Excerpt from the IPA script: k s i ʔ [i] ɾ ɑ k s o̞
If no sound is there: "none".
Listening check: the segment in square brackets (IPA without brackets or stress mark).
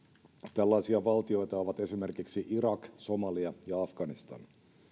i